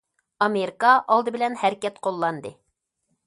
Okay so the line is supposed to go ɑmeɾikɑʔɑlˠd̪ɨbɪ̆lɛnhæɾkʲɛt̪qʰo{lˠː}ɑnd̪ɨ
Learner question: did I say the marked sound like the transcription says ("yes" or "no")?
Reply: yes